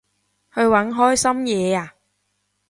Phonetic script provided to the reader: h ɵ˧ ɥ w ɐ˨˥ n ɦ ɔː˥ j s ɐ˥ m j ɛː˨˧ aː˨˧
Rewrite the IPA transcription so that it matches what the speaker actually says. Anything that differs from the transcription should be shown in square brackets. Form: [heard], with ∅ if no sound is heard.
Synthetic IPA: h ɵ˧ ɥ w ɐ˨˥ n ɦ ɔː˥ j s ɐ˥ m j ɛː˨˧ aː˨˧